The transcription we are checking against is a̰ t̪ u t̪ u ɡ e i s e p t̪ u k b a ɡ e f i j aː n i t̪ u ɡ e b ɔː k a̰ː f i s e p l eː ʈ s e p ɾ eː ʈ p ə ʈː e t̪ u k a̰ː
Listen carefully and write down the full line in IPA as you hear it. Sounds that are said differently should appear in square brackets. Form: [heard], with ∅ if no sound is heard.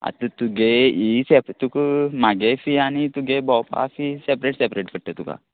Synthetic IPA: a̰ t̪ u t̪ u ɡ e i s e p t̪ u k [m] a ɡ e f i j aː n i t̪ u ɡ e b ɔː [p] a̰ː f i s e p [ɾ] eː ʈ s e p ɾ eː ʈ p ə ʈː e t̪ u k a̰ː